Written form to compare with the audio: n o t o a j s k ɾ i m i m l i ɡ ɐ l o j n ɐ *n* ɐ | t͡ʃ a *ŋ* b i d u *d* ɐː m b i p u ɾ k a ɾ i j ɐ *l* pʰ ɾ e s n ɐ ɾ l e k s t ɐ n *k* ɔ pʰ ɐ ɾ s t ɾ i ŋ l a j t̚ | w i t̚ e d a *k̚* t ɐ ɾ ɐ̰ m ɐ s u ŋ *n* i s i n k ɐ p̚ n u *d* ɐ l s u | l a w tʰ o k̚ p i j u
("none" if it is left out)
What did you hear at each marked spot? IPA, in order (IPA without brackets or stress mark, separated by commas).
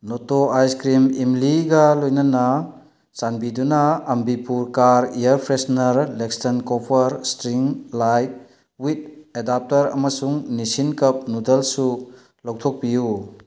n, n, n, ɾ, k, p̚, n, d